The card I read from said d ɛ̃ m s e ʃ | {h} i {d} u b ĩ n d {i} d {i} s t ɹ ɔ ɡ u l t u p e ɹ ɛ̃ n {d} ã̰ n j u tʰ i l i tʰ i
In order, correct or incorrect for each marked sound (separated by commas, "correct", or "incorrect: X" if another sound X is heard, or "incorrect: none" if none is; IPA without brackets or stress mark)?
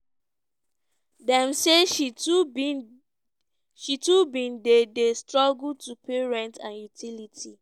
incorrect: ʃ, incorrect: t, incorrect: e, incorrect: e, incorrect: t